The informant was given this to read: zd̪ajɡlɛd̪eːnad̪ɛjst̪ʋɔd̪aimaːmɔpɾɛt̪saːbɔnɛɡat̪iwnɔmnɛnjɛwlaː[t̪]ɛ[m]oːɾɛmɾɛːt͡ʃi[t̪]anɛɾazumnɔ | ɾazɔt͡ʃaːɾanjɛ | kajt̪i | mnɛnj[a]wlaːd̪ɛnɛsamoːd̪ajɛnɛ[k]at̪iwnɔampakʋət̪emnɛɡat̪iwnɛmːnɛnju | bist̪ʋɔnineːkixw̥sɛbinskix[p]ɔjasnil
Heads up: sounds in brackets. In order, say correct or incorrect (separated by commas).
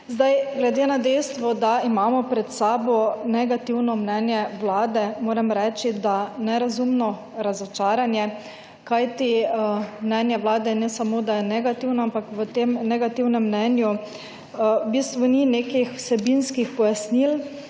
incorrect, correct, incorrect, incorrect, incorrect, correct